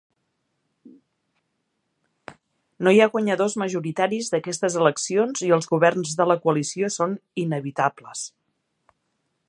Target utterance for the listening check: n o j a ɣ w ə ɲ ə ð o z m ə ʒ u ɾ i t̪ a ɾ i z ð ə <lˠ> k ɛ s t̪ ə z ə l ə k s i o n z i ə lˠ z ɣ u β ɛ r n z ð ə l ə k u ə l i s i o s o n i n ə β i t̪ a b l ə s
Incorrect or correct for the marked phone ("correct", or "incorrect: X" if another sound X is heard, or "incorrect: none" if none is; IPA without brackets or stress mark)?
incorrect: none